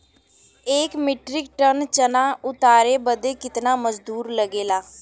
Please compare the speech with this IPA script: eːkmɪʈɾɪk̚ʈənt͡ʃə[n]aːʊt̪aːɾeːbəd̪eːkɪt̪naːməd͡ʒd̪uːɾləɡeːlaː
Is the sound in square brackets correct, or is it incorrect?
correct